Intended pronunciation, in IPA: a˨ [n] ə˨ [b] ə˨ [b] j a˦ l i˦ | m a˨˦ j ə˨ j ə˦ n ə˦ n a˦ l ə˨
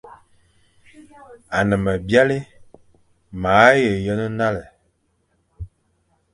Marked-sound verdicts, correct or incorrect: correct, incorrect, correct

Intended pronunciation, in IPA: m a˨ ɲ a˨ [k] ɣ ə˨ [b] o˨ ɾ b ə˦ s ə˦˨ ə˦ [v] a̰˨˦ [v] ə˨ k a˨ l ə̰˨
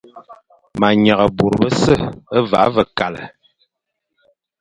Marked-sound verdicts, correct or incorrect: incorrect, correct, correct, correct

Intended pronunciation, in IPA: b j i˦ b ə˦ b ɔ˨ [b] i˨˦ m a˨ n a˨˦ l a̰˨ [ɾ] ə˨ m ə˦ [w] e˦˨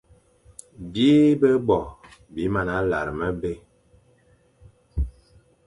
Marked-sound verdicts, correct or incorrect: correct, correct, incorrect

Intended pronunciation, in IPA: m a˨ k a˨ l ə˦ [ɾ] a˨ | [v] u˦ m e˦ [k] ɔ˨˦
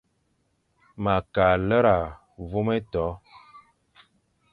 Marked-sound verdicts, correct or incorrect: correct, correct, incorrect

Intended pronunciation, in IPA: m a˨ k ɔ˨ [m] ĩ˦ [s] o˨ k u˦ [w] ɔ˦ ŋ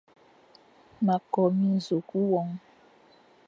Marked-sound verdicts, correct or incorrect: correct, incorrect, correct

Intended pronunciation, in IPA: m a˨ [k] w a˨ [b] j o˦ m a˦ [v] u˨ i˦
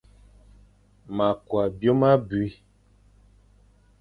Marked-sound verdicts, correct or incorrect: correct, correct, incorrect

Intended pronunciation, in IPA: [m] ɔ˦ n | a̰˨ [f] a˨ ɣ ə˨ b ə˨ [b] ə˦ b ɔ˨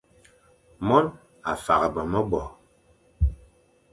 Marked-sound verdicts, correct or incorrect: correct, correct, incorrect

